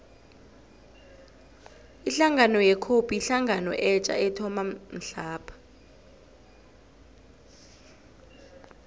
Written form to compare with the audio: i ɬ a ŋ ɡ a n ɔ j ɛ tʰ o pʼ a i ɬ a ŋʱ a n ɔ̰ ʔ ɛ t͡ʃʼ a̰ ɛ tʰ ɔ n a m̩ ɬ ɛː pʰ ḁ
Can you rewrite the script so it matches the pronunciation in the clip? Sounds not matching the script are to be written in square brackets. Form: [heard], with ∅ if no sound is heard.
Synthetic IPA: i ɬ a ŋ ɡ a n ɔ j ɛ [kʰ] o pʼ [i] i ɬ a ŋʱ a n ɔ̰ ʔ ɛ t͡ʃʼ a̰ ɛ tʰ ɔ [m] a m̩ ɬ [aː] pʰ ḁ